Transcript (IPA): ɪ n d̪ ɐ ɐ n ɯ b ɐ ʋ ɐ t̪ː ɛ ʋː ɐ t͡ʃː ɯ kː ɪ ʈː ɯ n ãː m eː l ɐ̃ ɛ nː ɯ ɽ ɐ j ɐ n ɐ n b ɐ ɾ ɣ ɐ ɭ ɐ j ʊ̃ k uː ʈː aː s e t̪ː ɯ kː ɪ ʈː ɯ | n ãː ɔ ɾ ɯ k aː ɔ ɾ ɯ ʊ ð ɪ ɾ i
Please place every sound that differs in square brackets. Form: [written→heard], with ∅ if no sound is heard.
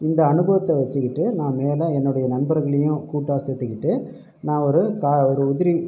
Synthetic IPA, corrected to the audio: ɪ n d̪ ɐ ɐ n ɯ b ɐ ʋ ɐ t̪ː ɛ [ʋː→ʋ] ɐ t͡ʃː ɯ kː ɪ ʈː ɯ n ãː m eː l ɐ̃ ɛ nː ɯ ɽ ɐ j ɐ n ɐ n b ɐ ɾ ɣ ɐ ɭ ɐ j ʊ̃ k uː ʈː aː s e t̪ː ɯ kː ɪ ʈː ɯ | n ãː ɔ ɾ ɯ k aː ɔ ɾ ɯ ʊ ð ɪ ɾ i